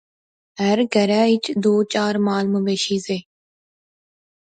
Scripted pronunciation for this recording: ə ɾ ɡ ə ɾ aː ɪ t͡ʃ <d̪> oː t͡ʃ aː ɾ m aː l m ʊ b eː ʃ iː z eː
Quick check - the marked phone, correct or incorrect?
correct